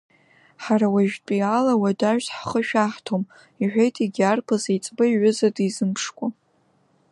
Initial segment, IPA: ħ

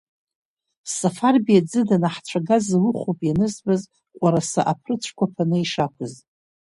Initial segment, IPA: s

